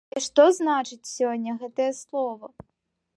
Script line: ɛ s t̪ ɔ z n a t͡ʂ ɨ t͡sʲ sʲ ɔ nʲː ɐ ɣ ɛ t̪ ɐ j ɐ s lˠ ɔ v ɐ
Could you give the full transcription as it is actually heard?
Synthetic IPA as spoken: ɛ ʂ t̪ ɔ z n a t͡ʂ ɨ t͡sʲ sʲ ɔ nʲː ɐ ɣ ɛ t̪ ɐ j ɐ s lˠ ɔ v ɐ